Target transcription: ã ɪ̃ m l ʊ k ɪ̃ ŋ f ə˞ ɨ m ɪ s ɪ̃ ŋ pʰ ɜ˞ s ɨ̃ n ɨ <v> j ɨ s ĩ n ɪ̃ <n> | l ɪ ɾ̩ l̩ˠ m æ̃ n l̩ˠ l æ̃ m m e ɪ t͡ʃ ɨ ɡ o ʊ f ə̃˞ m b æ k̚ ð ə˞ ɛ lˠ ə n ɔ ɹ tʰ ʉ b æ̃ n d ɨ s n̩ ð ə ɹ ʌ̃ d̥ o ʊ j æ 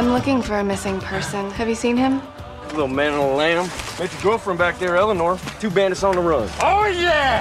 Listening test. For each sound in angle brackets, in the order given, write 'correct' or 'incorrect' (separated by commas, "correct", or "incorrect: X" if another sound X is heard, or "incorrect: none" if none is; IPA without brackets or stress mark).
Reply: correct, incorrect: m